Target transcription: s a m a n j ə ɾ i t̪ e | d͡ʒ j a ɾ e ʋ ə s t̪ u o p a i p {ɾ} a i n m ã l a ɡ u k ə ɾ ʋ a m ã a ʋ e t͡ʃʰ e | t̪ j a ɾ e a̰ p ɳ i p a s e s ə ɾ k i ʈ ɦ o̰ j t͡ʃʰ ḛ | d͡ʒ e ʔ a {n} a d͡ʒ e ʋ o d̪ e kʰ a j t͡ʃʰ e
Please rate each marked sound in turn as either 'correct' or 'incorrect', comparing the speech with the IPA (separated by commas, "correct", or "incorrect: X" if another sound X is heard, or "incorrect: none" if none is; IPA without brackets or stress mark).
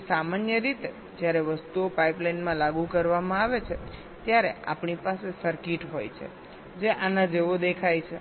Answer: incorrect: l, correct